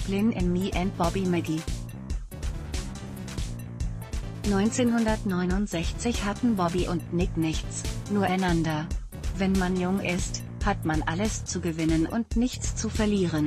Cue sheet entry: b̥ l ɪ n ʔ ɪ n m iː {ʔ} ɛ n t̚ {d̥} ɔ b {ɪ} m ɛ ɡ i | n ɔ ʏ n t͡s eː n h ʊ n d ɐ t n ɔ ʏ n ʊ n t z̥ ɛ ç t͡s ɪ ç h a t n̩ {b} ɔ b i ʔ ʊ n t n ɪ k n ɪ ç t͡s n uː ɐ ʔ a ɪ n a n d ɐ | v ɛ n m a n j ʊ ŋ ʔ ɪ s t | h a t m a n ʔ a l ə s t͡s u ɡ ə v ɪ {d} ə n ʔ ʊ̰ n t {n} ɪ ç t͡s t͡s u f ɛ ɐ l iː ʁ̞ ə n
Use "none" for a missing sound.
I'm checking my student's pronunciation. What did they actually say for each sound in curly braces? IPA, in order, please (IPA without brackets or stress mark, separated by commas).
ʔ, b̥, i, b, n, n